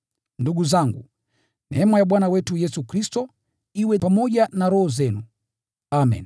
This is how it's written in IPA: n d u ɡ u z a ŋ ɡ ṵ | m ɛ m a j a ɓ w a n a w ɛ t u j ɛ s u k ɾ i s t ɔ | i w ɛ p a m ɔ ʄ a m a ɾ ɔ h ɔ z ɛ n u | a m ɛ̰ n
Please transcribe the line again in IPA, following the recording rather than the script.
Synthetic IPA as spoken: n d u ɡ u z a ŋ ɡ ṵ | m ɛ m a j a ɓ w a n a w ɛ t u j ɛ s u k ɾ i s t ɔ | i w ɛ p a m ɔ ʄ a n a ɾ ɔ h ɔ z ɛ n u | a m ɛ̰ n